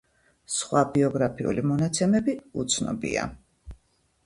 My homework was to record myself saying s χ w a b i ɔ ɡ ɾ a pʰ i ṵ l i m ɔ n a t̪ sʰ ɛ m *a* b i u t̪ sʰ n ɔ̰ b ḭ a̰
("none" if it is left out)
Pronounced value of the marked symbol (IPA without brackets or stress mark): ɛ